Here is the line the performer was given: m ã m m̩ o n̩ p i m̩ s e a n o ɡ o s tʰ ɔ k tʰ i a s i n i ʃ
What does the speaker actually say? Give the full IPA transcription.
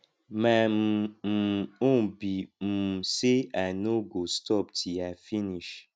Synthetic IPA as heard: m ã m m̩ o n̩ b i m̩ s e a n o ɡ o s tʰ ɔ p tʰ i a f i n i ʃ